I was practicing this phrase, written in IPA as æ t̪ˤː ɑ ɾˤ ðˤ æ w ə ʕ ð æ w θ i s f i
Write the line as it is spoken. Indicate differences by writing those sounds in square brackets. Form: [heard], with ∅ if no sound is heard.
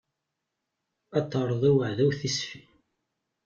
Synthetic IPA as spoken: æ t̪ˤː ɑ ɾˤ ðˤ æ w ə ʕ ð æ w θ i s f i